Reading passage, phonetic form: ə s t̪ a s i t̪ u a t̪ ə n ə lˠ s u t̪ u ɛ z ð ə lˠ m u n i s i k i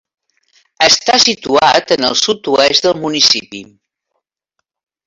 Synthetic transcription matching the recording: ə s t̪ a s i t̪ u a t̪ ə n ə lˠ s u t̪ u ɛ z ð ə lˠ m u n i s i p i